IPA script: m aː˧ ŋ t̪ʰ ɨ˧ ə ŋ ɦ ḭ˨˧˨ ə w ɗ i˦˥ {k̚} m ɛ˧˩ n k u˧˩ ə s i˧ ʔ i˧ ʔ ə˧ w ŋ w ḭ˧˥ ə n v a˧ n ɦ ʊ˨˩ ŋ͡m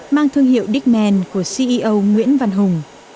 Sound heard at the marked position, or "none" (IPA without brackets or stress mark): k̚